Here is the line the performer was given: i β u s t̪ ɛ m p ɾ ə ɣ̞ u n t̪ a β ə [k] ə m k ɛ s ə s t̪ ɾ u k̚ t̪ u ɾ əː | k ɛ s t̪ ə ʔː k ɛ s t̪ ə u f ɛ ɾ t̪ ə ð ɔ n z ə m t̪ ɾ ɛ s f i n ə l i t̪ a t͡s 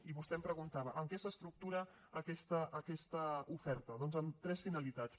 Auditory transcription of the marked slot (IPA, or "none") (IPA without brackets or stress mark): ʔ